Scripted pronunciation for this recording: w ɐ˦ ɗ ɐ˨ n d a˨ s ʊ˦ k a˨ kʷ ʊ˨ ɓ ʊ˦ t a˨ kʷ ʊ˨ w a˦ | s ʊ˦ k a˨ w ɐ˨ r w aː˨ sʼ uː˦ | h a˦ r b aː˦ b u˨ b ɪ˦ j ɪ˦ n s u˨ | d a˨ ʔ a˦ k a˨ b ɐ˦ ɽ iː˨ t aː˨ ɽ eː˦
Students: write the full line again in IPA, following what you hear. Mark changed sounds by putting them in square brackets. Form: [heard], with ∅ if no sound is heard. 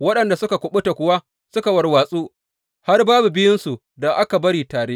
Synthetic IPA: w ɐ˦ ɗ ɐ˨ n d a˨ s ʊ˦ k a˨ kʷ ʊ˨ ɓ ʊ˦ t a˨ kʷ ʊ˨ w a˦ | s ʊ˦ k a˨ w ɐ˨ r w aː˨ sʼ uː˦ | h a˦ r b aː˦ b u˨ b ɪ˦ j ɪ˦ n s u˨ | d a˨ ʔ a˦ k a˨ b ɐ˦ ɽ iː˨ t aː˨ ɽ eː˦